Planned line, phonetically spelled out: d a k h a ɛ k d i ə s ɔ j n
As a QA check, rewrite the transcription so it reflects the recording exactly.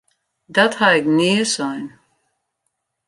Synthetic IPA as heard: d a t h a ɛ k n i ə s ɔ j n